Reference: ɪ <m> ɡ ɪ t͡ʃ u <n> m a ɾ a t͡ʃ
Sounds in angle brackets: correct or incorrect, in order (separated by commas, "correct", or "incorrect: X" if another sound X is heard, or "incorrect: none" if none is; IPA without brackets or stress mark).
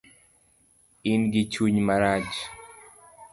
incorrect: n, incorrect: ɲ